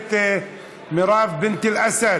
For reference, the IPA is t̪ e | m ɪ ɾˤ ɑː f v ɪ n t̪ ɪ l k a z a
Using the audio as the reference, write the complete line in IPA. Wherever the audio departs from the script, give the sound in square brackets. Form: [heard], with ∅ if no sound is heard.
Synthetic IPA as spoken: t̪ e | m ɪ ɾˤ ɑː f [b] ɪ n t̪ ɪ l [ʔ] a [s] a